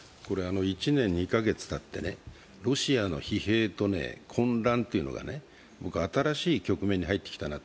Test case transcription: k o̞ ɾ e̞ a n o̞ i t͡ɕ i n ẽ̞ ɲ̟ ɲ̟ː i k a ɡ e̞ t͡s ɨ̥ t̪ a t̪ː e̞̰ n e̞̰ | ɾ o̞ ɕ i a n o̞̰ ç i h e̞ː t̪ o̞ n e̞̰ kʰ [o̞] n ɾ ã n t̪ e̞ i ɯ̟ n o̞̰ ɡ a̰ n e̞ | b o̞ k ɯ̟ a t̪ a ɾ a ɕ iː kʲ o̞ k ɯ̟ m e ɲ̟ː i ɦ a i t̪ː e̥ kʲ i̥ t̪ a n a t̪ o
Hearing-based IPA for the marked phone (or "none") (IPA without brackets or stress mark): õ̞